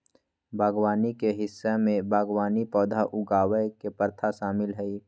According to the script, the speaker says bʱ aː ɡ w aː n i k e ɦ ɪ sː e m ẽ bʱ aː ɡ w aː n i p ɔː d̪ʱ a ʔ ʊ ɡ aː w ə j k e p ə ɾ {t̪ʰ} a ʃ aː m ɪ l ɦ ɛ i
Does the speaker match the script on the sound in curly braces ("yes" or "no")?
yes